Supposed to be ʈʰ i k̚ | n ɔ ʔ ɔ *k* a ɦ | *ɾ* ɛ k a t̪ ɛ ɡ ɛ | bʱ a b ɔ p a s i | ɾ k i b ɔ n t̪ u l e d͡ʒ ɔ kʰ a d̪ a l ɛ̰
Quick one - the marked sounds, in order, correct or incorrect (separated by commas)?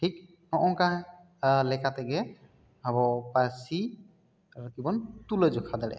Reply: correct, incorrect